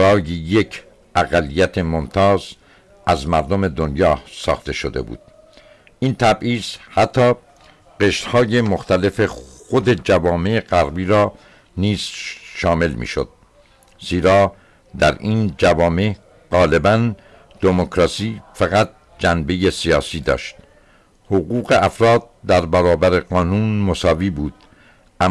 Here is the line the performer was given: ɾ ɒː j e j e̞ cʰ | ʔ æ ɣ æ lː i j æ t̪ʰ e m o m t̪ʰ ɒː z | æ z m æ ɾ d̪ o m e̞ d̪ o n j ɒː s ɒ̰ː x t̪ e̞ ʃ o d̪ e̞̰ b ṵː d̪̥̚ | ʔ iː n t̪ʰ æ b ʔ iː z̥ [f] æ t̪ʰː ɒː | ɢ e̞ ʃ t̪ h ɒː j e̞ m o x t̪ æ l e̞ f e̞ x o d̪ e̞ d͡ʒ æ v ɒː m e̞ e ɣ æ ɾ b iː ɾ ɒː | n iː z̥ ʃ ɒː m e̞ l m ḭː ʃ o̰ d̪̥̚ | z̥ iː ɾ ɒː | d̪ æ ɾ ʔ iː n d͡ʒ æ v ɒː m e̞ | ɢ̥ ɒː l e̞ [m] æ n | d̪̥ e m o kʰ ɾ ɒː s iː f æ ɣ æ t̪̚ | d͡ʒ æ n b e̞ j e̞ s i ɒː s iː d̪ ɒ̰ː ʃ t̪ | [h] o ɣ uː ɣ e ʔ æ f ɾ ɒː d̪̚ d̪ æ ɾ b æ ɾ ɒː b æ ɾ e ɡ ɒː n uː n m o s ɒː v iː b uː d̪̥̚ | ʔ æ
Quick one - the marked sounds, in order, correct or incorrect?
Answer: incorrect: h, incorrect: b, correct

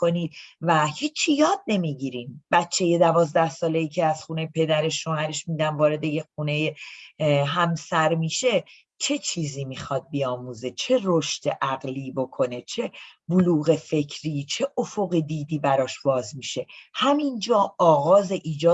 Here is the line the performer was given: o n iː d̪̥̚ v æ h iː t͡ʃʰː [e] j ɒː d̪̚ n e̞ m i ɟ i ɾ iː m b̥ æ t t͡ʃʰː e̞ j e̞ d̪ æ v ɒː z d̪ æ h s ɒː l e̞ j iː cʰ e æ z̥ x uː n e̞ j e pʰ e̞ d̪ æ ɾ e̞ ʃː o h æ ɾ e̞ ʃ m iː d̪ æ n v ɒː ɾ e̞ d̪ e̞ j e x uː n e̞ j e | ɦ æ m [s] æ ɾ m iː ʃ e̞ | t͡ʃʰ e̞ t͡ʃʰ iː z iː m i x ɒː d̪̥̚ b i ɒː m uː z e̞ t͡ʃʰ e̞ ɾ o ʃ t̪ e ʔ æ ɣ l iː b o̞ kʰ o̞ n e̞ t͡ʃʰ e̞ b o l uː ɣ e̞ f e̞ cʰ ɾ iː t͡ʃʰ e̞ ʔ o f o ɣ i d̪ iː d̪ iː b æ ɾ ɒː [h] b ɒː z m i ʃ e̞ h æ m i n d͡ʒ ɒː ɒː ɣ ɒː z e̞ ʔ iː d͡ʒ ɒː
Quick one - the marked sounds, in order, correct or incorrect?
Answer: incorrect: i, correct, incorrect: ʃ

